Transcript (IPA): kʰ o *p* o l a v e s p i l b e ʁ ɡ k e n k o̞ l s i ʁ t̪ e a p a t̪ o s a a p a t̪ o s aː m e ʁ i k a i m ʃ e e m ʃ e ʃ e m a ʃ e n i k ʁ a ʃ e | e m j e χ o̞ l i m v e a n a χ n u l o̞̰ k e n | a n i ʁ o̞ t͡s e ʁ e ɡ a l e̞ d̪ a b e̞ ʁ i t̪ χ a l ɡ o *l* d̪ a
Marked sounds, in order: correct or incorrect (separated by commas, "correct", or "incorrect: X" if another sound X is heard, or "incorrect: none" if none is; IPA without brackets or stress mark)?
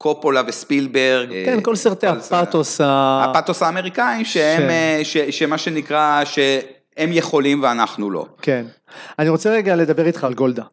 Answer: correct, correct